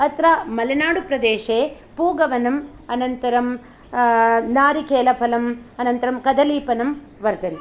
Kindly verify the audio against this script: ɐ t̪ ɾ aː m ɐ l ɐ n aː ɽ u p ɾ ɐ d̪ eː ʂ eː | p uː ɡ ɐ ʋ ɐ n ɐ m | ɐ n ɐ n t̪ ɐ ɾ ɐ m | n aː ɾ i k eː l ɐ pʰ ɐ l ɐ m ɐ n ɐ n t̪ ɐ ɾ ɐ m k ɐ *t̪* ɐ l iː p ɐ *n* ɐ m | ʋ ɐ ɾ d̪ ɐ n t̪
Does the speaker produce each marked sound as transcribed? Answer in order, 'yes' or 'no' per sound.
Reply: no, yes

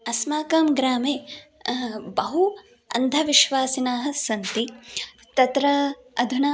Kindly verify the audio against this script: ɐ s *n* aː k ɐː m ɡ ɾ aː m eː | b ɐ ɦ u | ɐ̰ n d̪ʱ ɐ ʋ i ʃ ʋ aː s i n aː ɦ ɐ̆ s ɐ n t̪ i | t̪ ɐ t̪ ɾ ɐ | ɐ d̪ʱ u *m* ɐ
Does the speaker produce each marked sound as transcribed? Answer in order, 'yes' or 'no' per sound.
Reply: no, no

